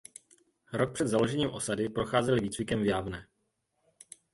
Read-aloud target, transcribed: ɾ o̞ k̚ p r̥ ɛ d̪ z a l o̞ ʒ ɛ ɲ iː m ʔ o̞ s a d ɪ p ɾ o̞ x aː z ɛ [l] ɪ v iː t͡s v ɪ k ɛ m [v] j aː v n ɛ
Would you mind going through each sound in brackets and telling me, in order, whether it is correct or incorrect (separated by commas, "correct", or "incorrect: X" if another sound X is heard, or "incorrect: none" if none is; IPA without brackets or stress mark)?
correct, correct